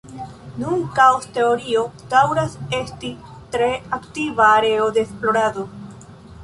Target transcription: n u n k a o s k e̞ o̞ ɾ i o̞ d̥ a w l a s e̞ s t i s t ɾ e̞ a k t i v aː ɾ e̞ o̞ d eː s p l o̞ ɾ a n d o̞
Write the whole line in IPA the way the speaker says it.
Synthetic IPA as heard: n u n k a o s t e̞ o̞ ɾ i o̞ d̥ a w ɾ a s e̞ s t i t ɾ e̞ a k t i v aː ɾ e̞ o̞ d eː s p l o̞ ɾ a d o̞